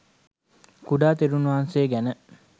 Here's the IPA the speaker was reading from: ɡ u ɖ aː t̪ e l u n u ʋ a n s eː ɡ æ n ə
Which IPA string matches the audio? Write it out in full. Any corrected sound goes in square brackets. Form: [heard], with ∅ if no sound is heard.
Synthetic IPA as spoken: [k] u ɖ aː t̪ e [ɾ] u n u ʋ a n s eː ɡ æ n ə